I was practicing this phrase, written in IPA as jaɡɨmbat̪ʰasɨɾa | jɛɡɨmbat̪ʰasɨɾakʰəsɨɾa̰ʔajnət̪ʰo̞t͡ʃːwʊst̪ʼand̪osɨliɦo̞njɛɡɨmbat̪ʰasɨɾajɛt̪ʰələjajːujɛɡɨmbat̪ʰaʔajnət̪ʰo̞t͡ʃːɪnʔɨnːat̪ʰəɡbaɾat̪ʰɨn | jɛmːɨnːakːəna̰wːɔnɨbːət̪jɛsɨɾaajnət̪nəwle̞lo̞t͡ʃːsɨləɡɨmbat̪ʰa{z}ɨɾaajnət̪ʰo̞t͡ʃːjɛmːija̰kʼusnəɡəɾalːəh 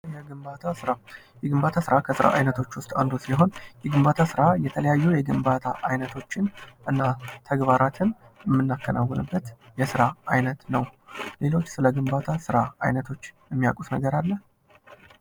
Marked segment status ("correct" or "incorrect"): incorrect